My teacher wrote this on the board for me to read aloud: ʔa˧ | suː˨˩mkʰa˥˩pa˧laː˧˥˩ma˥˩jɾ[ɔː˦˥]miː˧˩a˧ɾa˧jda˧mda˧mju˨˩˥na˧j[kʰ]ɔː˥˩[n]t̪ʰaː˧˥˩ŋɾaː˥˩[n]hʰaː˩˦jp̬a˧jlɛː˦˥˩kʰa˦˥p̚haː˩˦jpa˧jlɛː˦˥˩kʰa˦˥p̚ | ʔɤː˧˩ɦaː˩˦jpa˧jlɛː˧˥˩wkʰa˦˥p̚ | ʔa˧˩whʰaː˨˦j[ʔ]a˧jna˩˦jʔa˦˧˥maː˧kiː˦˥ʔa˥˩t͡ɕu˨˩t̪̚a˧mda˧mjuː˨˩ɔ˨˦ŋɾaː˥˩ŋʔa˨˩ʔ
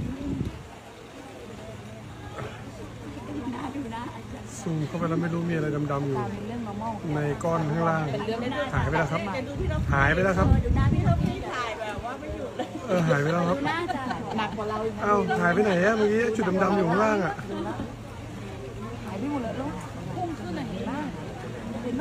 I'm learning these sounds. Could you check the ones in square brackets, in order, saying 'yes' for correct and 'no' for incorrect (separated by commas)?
no, no, yes, no, no